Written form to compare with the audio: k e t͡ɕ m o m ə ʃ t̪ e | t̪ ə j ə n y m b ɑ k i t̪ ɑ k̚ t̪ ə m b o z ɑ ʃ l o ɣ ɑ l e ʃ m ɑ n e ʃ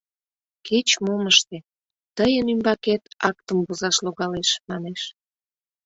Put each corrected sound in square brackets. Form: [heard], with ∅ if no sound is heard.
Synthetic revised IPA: k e t͡ɕ m o m ə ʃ t̪ e | t̪ ə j ə n y m b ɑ k [e] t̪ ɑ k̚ t̪ ə m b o z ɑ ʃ l o ɣ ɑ l e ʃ m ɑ n e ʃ